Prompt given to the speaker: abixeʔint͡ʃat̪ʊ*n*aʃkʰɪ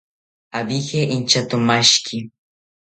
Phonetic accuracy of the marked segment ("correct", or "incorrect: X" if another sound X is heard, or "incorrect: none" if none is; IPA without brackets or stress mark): incorrect: m